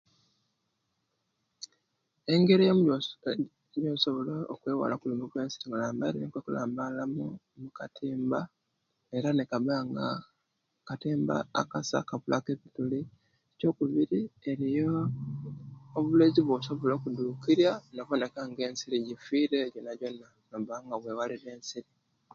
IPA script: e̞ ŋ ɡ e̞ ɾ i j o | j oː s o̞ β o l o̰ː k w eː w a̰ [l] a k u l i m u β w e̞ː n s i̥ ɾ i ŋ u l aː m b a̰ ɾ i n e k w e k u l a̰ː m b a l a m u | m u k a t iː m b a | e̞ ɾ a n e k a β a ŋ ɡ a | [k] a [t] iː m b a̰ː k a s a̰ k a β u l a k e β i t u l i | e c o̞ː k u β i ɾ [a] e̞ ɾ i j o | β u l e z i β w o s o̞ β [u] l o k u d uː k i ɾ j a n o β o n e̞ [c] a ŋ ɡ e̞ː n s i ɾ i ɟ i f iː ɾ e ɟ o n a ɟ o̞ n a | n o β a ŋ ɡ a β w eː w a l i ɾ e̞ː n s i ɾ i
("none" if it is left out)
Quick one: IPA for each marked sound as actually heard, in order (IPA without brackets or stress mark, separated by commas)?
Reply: l, k, t, i, o, k